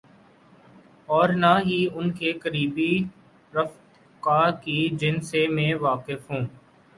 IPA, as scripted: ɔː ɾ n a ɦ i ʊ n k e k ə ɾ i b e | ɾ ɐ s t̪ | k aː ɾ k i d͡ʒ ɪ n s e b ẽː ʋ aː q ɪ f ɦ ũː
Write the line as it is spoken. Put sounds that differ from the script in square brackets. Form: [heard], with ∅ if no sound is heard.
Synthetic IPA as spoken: ɔː ɾ n a ɦ i ʊ n k e k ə ɾ [iː] b [i] | ɾ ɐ [f] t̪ | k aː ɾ k i d͡ʒ ɪ n s e [m] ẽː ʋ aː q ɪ f ɦ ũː